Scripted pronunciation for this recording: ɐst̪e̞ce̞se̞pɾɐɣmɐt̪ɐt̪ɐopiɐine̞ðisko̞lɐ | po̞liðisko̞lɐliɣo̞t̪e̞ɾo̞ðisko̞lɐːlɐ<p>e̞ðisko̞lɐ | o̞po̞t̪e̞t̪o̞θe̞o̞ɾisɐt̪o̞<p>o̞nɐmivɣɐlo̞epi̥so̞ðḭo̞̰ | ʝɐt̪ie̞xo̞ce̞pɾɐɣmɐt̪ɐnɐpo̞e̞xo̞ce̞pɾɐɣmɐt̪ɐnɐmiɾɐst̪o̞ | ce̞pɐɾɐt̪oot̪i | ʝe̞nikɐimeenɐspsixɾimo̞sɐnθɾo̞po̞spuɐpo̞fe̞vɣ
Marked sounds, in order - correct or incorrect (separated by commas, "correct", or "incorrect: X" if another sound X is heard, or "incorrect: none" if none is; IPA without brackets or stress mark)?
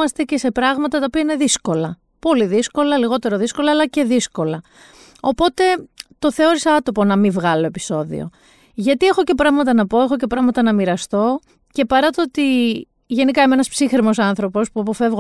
incorrect: c, correct